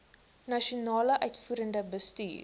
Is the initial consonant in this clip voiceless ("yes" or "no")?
no